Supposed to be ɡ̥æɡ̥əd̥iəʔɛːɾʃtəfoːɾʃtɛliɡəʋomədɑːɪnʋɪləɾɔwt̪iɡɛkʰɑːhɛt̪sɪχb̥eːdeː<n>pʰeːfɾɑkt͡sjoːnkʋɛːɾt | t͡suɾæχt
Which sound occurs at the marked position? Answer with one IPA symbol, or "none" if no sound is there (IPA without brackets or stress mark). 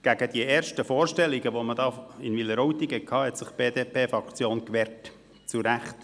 none